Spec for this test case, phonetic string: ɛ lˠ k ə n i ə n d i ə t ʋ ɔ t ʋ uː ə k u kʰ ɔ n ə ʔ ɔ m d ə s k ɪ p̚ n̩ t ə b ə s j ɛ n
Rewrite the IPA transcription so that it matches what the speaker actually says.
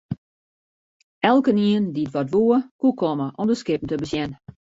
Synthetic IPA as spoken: ɛ lˠ k ə n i ə n d i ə t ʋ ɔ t ʋ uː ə k u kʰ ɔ m ə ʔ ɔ m d ə s k ɪ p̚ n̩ t ə b ə s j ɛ n